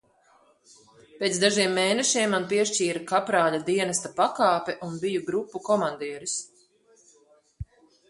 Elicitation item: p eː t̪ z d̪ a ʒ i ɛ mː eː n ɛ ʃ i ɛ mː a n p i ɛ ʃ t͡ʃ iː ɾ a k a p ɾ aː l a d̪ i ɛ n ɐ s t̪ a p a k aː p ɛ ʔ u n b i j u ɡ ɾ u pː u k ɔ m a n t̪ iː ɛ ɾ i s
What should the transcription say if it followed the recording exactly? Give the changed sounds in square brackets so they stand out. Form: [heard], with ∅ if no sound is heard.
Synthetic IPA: p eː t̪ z d̪ a ʒ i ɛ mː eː n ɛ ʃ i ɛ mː a n p i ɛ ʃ t͡ʃ iː ɾ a k a p ɾ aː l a d̪ i ɛ n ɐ s t̪ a p a k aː p ɛ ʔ u n b i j u ɡ ɾ u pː u k ɔ m a n [d̪] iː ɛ ɾ i s